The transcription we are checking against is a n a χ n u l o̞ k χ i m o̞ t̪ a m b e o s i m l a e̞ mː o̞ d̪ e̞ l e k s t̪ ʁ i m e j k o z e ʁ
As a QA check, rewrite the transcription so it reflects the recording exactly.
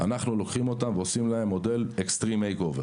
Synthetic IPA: a n a χ n u l o̞ k χ i m o̞ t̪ a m v e o s i m l a e̞ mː o̞ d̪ e̞ l e k s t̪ ʁ i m e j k o v e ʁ